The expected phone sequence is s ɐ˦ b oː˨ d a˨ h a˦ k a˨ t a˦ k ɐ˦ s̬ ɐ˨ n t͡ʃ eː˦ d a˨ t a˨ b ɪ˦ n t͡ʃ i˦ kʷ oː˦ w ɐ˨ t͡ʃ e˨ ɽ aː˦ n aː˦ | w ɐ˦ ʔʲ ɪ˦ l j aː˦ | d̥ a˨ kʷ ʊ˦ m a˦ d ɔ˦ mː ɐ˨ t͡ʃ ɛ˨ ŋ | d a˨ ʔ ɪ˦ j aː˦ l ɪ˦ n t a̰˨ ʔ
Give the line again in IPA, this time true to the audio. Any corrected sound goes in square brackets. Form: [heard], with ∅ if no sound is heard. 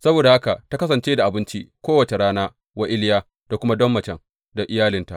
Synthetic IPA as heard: s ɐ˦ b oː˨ d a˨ h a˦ k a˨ t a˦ k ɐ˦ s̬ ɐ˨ n t͡ʃ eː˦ d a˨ [ʔ] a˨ b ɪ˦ n t͡ʃ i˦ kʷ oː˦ w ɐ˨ t͡ʃ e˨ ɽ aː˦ n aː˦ | w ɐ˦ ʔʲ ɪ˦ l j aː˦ | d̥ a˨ kʷ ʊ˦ m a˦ d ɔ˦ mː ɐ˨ t͡ʃ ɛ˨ ŋ | d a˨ ʔ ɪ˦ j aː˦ l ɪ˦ n t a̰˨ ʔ